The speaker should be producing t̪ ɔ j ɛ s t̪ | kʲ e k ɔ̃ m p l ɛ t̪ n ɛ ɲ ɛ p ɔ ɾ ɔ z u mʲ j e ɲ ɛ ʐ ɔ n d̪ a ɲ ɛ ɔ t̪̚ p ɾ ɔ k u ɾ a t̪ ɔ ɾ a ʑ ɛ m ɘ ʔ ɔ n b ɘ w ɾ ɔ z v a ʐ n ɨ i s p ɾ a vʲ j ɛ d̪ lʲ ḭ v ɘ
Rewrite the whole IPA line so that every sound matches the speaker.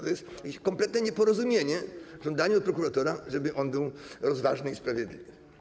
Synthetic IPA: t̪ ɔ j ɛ s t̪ | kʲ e k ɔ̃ m p l ɛ t̪ n ɛ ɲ ɛ p ɔ ɾ ɔ z u mʲ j e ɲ ɛ ʐ ɔ n d̪ a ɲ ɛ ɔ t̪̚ p ɾ ɔ k u ɾ a t̪ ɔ ɾ a ʐ ɛ b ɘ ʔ ɔ n b ɘ w ɾ ɔ z v a ʐ n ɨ i s p ɾ a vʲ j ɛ d̪ lʲ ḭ v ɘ

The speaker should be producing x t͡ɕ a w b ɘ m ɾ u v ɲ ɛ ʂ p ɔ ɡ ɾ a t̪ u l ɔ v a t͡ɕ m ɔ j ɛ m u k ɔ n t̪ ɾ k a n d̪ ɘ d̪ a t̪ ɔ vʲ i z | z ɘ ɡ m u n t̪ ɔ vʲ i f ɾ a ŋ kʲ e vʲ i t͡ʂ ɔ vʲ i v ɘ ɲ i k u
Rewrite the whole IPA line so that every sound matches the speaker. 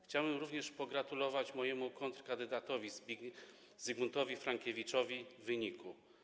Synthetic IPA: x t͡ɕ a w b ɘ m ɾ u v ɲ ɛ ʂ p ɔ ɡ ɾ a t̪ u l ɔ v a t͡ɕ m ɔ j ɛ m u k ɔ n t̪ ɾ k a n d̪ ɘ d̪ a t̪ ɔ vʲ i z | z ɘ ɡ m u n t̪ ɔ vʲ i f ɾ a ŋ kʲ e vʲ i t͡ʂ ɔ vʲ i v ɘ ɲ i k u

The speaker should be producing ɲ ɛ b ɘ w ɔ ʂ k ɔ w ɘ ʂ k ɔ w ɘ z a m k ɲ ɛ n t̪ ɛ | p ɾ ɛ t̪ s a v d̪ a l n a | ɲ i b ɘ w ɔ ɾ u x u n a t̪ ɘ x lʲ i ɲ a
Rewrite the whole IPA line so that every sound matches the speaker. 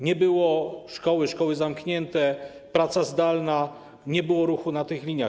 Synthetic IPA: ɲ ɛ b ɘ w ɔ ʂ k ɔ w ɘ ʂ k ɔ w ɘ z a m k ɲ ɛ n t̪ ɛ | p ɾ a t̪ s a z d̪ a l n a | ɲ ɛ b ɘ w ɔ ɾ u x u n a t̪ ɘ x lʲ i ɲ a

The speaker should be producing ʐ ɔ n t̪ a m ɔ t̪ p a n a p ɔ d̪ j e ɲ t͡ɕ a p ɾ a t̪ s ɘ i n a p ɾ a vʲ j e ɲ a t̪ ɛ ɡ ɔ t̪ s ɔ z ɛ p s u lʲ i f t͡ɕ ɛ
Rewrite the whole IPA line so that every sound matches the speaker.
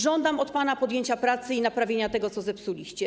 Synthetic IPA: ʐ ɔ n d̪ a m ɔ t̪ p a n a p ɔ d̪ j e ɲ t͡ɕ a p ɾ a t̪ s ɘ i n a p ɾ a vʲ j e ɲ a t̪ ɛ ɡ ɔ t̪ s ɔ z ɛ p s u lʲ i ɕ t͡ɕ ɛ

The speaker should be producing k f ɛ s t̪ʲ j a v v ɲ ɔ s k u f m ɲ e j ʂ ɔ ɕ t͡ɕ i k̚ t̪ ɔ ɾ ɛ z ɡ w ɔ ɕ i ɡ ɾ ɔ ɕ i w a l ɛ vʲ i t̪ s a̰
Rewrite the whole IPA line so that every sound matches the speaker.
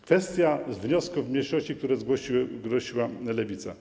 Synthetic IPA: k f ɛ s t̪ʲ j a z v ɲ ɔ s k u v m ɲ e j ʂ ɔ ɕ t͡ɕ i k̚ t̪ u ɾ ɛ z ɡ w ɔ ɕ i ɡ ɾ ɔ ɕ i w a l ɛ vʲ i t̪ s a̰

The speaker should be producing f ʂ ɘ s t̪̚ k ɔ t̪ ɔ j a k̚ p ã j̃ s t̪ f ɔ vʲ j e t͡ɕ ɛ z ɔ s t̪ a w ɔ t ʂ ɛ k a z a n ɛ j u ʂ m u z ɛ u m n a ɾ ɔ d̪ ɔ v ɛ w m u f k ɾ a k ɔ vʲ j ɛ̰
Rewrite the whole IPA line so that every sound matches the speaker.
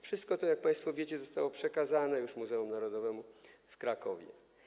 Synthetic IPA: f ʂ ɘ s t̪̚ k ɔ t̪ ɔ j a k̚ p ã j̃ s t̪ f ɔ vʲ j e t͡ɕ ɛ z ɔ s t̪ a w ɔ p ʂ ɛ k a z a n ɛ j u ʂ m u z ɛ u m n a ɾ ɔ d̪ ɔ v ɛ m u f k ɾ a k ɔ vʲ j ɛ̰

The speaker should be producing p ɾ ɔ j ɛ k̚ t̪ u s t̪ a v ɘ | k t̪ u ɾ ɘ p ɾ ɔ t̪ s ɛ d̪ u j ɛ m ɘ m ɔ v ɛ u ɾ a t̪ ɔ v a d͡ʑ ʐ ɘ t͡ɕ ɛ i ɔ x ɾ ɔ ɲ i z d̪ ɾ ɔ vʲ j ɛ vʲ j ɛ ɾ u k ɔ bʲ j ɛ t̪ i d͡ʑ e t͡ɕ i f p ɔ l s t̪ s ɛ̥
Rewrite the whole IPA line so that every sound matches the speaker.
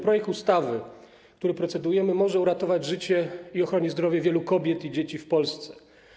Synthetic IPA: p ɾ ɔ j ɛ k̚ t̪ u s t̪ a v ɘ | k t̪ u ɾ ɘ p ɾ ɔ t̪ s ɛ d̪ u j ɛ m ɘ m ɔ ʐ ɛ u ɾ a t̪ ɔ v a d͡ʑ ʐ ɘ t͡ɕ ɛ i ɔ x ɾ ɔ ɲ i z d̪ ɾ ɔ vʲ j ɛ vʲ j ɛ l u k ɔ bʲ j ɛ t̪ i d͡ʑ e t͡ɕ i f p ɔ l s t̪ s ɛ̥

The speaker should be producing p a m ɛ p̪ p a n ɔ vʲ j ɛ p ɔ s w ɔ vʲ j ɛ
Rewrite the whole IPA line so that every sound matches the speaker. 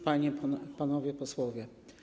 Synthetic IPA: p a ɲ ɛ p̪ p a n ɔ vʲ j ɛ p ɔ s w ɔ vʲ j ɛ

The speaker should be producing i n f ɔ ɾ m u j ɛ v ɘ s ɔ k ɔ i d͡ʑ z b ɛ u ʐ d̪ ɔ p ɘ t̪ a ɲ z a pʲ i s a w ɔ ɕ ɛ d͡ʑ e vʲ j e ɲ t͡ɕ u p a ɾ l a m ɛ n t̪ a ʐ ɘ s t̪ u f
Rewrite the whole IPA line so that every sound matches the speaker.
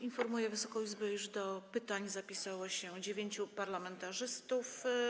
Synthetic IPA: i n f ɔ ɾ m u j ɛ v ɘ s ɔ k ɔ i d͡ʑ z b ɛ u ʐ d̪ ɔ p ɘ t̪ a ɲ z a pʲ i s a w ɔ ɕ ɛ d͡ʑ e vʲ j e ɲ t͡ɕ u p a ɾ l a m ɛ n t̪ a ʐ ɘ s t̪ u f

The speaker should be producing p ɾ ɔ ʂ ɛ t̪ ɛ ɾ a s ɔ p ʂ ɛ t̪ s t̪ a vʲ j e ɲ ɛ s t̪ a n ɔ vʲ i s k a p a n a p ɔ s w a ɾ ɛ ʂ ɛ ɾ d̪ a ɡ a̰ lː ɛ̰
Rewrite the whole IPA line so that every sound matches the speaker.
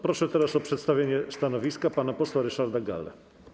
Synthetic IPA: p ɾ ɔ ʂ ɛ t̪ ɛ ɾ a s ɔ p ʂ ɛ t̪ s t̪ a vʲ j e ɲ ɛ s t̪ a n ɔ vʲ i s k a p a n a p ɔ s w a ɾ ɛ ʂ a ɾ d̪ a ɡ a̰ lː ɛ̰

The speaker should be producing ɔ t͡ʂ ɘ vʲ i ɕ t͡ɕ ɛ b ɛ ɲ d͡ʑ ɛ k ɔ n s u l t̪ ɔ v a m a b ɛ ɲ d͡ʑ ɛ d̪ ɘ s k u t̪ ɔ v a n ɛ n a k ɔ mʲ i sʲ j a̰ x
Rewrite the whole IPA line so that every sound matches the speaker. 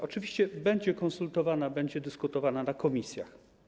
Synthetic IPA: ɔ t͡ʂ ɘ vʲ i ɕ t͡ɕ ɛ b ɛ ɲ d͡ʑ ɛ k ɔ n s u l t̪ ɔ v a n a b ɛ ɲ d͡ʑ ɛ d̪ ɘ s k u t̪ ɔ v a n a n a k ɔ mʲ i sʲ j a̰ x

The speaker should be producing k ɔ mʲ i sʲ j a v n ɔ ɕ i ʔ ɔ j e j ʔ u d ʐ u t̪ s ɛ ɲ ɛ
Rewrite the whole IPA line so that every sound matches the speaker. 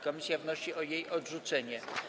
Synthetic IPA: k ɔ mʲ i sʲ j a v n ɔ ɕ i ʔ ɔ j e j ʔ ɔ d ʐ u t̪ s ɛ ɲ ɛ

